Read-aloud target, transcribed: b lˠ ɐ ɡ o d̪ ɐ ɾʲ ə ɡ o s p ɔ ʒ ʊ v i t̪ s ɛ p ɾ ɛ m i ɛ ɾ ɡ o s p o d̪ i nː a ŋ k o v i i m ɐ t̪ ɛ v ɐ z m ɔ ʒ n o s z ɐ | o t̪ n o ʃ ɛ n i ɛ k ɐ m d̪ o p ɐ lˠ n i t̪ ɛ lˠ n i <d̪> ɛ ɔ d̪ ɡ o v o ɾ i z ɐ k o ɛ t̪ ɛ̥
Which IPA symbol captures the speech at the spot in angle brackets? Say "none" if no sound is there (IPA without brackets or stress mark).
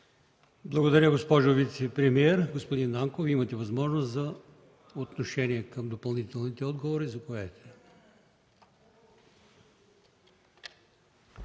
t̪